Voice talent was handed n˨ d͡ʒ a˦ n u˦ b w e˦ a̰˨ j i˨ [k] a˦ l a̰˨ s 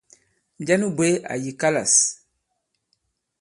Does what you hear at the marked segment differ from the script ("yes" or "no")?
no